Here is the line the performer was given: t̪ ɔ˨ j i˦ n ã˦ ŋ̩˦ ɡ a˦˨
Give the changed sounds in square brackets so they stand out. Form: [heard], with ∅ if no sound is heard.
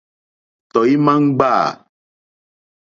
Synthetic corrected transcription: t̪ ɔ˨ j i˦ [m] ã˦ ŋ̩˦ [ɡ͡b] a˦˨